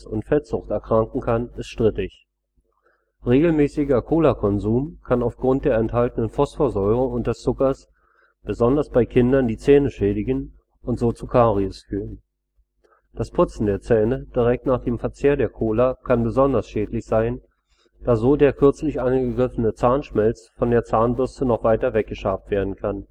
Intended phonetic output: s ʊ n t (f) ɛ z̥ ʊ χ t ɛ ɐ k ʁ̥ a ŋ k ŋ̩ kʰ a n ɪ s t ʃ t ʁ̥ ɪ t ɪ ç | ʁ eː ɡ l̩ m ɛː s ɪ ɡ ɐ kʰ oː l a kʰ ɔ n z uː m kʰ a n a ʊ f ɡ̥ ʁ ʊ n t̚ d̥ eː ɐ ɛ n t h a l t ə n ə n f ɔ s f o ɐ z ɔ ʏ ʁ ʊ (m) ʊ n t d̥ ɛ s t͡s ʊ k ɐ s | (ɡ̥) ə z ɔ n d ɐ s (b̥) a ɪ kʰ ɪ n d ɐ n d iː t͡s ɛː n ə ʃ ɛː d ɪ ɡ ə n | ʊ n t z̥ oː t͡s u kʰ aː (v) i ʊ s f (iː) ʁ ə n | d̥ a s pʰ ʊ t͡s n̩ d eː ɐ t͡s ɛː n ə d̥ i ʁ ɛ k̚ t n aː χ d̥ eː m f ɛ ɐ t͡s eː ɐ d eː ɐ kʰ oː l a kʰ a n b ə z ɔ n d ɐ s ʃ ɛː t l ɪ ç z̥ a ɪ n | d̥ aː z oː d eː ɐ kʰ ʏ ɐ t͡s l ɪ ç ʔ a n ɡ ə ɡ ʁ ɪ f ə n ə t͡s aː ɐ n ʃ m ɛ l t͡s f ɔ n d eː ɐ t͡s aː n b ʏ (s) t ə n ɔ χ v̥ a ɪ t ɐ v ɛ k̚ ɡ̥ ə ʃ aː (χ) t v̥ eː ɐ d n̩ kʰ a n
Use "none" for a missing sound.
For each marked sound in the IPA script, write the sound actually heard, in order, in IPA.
f, ŋ, b̥, b̥, ʁ, yː, s, f

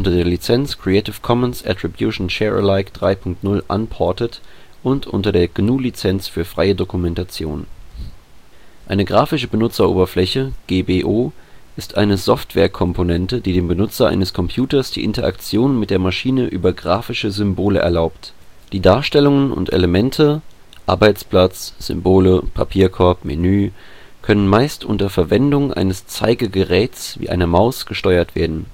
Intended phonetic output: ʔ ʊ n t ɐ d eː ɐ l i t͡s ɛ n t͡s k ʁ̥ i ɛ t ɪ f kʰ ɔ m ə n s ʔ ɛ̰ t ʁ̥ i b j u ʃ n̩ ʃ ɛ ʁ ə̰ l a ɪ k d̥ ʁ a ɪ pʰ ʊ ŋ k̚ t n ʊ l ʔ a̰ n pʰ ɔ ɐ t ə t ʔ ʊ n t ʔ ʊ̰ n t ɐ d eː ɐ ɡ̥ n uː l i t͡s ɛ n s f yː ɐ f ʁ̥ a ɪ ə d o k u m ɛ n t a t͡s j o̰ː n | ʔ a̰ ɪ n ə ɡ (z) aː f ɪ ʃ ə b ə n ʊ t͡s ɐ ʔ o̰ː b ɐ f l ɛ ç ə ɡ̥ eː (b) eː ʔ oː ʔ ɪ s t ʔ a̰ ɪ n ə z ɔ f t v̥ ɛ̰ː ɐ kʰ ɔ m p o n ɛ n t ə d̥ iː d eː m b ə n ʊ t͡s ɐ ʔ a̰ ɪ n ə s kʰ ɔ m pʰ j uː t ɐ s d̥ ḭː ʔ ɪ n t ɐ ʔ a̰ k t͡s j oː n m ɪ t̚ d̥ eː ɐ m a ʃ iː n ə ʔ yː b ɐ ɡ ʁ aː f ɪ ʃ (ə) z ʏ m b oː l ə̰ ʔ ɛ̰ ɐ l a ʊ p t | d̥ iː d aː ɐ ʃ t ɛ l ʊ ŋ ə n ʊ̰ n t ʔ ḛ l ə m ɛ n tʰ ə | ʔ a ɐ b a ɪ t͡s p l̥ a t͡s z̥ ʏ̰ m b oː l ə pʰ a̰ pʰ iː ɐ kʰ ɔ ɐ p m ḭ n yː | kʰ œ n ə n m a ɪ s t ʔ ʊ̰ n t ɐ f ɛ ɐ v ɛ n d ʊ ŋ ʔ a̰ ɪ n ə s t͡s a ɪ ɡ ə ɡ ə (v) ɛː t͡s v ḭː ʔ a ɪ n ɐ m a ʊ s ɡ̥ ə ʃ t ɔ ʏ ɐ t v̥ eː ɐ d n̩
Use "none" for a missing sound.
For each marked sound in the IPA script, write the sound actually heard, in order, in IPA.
ʁ, b, ə, ʁ

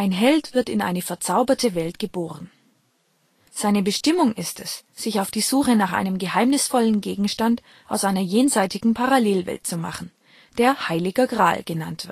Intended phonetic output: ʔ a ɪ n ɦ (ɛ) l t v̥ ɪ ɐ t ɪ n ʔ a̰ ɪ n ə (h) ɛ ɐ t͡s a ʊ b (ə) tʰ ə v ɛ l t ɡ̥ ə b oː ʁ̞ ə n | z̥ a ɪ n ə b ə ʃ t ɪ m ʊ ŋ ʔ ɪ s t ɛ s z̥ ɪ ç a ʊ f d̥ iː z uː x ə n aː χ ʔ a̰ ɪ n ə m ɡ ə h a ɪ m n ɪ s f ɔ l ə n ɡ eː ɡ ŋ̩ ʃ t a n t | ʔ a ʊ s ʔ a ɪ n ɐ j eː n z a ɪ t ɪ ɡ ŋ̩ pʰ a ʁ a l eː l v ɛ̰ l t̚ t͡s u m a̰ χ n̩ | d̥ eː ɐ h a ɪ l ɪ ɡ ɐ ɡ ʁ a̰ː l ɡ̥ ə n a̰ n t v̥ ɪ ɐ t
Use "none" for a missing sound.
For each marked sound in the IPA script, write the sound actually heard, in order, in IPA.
ɛ, f, ɐ

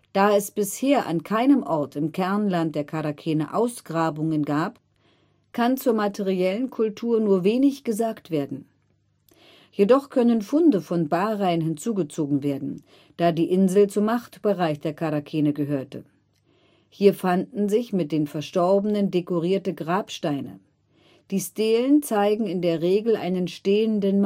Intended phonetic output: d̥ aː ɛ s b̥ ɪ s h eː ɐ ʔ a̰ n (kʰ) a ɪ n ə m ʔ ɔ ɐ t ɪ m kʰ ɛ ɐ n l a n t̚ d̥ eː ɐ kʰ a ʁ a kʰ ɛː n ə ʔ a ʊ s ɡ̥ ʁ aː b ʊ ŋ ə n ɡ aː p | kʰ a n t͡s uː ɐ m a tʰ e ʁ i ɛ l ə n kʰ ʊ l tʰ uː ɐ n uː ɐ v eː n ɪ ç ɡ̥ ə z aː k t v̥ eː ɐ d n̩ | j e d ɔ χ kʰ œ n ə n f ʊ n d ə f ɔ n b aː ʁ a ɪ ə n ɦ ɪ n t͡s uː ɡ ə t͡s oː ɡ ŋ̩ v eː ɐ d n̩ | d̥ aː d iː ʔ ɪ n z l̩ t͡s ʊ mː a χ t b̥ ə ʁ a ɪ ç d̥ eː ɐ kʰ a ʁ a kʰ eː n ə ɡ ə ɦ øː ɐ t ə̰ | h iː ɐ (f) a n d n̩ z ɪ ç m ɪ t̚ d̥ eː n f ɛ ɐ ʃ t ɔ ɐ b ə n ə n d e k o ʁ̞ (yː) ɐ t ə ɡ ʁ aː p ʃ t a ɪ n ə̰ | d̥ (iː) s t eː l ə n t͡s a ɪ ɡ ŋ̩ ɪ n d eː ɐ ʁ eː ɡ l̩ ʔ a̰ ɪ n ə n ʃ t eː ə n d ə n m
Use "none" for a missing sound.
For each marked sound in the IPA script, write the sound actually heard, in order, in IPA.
kʰ, f, iː, iː

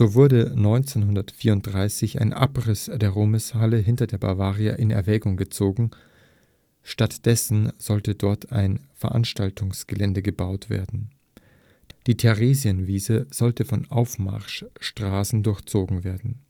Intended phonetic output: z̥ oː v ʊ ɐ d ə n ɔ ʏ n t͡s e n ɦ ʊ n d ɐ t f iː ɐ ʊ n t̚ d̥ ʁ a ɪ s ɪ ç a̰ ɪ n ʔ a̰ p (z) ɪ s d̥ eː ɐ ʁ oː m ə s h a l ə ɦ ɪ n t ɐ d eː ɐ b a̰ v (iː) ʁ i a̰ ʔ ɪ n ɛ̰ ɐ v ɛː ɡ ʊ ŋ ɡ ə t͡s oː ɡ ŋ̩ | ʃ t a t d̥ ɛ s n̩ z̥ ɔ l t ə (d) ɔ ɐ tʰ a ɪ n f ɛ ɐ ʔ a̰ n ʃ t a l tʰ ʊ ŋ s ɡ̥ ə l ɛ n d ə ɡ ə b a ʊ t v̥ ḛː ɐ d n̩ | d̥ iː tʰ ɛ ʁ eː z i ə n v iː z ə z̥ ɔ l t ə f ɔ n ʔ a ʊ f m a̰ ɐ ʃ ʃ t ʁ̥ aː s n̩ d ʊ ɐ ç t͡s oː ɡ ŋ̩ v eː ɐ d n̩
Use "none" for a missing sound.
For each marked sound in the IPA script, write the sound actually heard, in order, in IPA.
ʁ, aː, d

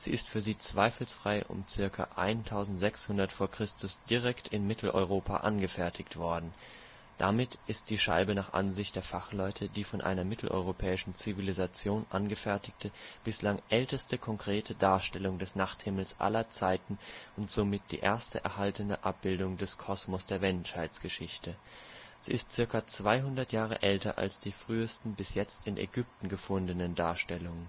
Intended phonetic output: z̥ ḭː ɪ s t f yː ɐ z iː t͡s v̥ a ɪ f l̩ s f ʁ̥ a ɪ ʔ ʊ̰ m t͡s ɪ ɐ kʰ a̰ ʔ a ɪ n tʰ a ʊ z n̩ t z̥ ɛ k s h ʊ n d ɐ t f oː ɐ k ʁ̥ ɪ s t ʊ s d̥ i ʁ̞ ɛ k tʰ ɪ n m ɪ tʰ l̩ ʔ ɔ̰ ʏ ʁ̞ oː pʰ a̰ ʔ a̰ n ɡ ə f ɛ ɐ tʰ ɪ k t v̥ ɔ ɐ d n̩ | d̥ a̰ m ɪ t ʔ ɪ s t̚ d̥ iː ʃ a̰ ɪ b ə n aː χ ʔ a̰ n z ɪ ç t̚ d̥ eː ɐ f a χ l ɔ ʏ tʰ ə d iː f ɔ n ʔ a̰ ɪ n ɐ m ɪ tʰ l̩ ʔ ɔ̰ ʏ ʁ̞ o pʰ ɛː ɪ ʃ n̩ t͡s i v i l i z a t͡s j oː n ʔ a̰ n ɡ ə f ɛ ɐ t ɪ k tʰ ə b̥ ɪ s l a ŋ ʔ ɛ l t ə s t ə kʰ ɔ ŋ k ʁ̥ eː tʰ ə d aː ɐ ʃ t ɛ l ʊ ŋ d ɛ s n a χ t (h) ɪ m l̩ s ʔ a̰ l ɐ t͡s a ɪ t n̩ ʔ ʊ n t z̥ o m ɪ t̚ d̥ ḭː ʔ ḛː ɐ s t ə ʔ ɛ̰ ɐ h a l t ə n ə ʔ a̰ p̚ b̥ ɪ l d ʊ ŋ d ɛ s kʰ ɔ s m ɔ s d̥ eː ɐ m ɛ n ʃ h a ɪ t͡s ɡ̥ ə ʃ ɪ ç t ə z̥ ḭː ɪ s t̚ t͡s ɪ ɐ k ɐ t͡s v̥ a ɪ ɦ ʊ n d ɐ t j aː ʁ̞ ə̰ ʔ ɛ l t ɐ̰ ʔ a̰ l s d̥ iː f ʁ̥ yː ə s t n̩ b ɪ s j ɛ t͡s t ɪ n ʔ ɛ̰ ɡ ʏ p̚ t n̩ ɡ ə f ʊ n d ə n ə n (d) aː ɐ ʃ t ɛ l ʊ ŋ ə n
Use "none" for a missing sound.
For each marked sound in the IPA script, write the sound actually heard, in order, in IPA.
h, d

